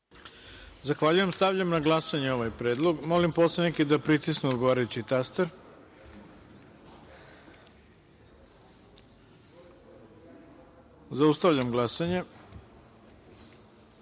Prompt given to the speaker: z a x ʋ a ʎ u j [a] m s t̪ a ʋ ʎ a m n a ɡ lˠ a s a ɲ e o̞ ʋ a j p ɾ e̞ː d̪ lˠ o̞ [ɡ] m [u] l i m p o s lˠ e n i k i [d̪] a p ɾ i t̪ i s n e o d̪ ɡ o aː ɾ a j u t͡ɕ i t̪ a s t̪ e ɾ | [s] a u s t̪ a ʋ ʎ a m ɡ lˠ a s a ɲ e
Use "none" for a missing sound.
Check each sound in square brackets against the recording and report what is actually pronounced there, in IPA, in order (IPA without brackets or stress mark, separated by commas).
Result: e, ɡ, o, d̪, z